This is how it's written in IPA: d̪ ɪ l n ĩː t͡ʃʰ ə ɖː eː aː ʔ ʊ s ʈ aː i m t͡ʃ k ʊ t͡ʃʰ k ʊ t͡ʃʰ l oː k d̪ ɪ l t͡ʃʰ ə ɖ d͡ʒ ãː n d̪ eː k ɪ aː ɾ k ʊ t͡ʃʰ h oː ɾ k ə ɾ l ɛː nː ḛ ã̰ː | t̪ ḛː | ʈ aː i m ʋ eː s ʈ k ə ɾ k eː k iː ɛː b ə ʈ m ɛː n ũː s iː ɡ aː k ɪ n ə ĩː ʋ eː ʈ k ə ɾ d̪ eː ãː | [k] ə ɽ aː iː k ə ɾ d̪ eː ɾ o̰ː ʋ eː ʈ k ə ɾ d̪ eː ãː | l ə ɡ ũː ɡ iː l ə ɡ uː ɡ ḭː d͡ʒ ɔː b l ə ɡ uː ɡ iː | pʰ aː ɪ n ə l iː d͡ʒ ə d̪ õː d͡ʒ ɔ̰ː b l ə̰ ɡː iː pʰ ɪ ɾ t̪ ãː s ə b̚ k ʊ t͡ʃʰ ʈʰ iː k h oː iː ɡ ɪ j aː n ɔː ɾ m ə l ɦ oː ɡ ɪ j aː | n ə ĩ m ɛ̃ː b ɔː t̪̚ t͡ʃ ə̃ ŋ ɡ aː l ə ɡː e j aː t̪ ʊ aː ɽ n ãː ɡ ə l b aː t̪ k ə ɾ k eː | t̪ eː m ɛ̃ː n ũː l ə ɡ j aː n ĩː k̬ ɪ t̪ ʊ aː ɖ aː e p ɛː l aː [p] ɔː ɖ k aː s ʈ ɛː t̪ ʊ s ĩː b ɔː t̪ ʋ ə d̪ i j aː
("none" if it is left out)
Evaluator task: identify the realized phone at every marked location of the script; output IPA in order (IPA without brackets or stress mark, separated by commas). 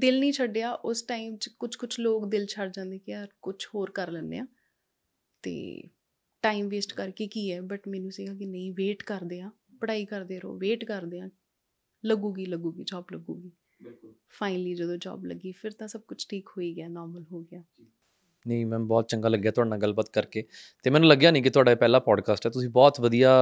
p, p